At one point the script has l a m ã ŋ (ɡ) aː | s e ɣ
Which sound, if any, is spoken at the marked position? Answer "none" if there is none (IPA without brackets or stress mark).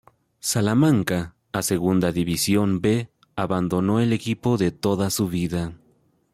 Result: k